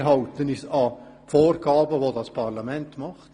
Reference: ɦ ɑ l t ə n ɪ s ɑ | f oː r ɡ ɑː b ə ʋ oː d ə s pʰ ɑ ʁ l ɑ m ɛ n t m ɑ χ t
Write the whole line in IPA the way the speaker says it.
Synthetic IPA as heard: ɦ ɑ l t ə n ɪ s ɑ | f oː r ɡ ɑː b ə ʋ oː d ɑ s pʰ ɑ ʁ l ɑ m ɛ n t m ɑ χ t